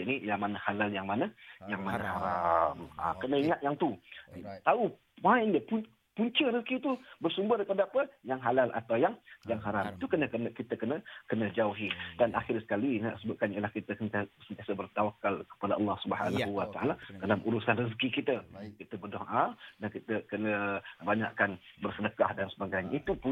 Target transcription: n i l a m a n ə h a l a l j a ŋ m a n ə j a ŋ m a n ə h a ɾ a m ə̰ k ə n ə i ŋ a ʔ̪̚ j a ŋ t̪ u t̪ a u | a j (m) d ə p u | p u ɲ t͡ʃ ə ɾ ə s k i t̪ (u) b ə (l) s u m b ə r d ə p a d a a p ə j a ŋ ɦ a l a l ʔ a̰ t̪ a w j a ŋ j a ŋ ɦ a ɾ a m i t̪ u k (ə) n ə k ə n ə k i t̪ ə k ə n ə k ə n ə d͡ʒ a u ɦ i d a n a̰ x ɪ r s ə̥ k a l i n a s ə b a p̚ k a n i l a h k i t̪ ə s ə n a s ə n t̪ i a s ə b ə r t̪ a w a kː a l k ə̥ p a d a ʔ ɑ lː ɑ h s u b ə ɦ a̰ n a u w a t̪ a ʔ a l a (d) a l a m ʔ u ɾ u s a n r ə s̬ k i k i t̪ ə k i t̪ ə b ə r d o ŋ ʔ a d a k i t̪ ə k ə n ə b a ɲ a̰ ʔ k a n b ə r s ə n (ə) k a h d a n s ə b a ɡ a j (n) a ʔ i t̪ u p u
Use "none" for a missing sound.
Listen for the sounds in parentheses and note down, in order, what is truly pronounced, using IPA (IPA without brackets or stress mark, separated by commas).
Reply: n, u, r, ə, d, ə, ɲ